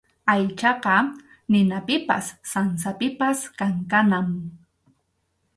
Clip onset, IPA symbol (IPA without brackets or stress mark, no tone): a